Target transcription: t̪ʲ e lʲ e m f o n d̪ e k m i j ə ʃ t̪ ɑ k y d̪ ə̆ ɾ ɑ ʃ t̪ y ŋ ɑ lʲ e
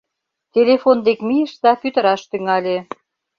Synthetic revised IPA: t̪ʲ e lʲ e f o n d̪ e k m i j ə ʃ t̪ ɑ p y t̪ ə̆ ɾ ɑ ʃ t̪ y ŋ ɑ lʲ e